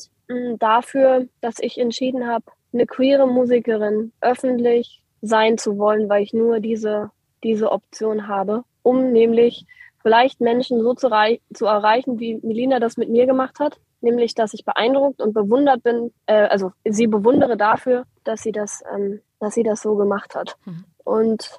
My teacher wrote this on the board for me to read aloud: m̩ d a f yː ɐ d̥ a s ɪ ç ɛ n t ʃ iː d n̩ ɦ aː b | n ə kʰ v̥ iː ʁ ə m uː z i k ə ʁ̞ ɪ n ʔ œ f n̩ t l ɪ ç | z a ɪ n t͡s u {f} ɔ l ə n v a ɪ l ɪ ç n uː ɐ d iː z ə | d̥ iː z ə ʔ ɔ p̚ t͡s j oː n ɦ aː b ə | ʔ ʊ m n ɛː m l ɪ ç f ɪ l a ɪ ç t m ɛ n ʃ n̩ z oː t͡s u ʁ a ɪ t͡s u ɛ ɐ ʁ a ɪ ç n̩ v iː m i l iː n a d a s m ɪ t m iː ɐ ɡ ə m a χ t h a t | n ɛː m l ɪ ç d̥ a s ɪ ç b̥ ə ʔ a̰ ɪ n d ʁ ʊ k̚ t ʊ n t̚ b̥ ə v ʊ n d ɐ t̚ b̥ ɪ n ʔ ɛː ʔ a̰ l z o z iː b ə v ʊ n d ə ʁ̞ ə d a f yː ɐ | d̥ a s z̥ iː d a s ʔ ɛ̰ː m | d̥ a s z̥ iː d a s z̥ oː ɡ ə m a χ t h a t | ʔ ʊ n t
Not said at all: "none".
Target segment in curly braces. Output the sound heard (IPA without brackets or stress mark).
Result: v